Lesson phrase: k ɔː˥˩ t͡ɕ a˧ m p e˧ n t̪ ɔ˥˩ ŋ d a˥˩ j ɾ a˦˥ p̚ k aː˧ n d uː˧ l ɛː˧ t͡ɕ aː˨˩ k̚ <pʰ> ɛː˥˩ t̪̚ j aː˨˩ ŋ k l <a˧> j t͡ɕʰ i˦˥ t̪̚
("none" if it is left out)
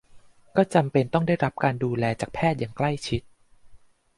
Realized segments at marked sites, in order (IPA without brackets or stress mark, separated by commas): pʰ, a˥˩